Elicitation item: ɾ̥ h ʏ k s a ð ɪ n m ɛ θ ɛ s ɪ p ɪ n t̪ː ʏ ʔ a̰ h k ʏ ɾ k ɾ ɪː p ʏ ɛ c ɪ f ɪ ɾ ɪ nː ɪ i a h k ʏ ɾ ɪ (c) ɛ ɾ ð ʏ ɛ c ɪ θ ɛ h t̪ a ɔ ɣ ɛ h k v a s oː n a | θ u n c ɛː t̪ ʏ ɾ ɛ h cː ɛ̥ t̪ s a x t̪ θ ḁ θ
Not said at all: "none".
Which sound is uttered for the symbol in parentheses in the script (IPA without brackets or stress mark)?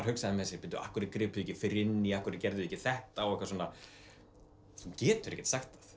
c